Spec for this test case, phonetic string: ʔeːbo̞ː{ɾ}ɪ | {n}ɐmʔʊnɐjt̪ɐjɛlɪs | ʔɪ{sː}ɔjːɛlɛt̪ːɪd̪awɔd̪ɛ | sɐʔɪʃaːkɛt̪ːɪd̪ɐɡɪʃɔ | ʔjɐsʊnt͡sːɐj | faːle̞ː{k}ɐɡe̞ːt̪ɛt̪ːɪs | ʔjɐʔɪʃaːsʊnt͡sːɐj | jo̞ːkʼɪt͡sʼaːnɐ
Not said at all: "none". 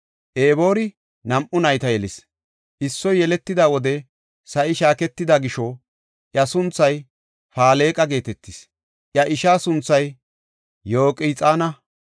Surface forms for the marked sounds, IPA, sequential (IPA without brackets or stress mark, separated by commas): ɾ, n, sː, kʼ